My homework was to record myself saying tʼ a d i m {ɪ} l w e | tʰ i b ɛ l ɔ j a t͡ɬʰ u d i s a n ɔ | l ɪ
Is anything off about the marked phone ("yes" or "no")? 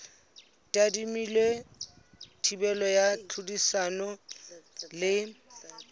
yes